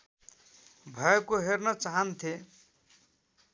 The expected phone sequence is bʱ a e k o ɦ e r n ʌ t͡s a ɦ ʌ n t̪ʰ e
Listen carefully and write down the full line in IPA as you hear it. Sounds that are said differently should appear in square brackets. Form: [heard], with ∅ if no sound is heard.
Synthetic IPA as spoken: bʱ [ʌ] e k o ɦ e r n ʌ t͡s a ɦ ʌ n t̪ʰ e